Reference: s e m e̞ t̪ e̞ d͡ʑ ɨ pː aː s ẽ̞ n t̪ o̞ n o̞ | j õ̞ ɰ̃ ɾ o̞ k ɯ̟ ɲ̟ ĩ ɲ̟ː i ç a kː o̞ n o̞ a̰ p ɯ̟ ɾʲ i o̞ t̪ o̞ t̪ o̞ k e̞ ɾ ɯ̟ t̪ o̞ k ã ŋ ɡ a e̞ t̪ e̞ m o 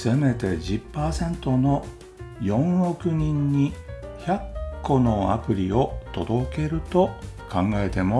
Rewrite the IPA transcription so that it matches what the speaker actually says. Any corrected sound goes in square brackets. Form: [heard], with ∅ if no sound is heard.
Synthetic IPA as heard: s e m e̞ t̪ e̞ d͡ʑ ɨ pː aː s ẽ̞ n t̪ o̞ n o̞ | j õ̞ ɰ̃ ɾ o̞ k ɯ̟ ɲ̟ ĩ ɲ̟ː i ç a kː o̞ n o̞ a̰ p ɯ̟ ɾʲ i o̞ t̪ o̞ [d̪] o̞ k e̞ ɾ ɯ̟ t̪ o̞ k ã ŋ ɡ a e̞ t̪ e̞ m o